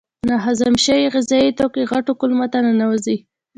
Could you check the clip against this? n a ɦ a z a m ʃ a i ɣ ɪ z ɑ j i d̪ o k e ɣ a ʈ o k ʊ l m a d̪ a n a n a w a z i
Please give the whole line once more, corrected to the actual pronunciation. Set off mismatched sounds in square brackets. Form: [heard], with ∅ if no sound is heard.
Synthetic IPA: n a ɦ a z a m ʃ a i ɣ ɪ z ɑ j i [t̪] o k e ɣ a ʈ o k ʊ l m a [t̪] a n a n a w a z i